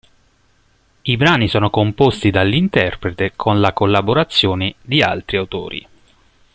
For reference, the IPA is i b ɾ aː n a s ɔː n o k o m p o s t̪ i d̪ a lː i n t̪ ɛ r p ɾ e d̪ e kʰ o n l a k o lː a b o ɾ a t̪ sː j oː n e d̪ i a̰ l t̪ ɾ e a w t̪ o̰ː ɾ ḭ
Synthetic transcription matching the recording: i b ɾ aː n i s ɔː n o k o m p o s t̪ i d̪ a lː i n t̪ ɛ r p ɾ e t̪ e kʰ o n l a k o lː a b o ɾ a t̪ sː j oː n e d̪ i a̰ l t̪ ɾ i a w t̪ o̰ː ɾ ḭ